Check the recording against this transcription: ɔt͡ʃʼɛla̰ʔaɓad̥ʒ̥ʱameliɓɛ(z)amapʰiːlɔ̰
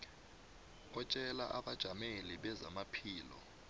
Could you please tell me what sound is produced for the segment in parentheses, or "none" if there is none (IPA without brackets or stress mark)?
z